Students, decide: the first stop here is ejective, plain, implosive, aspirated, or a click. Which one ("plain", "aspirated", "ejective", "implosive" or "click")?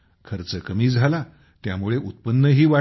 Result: aspirated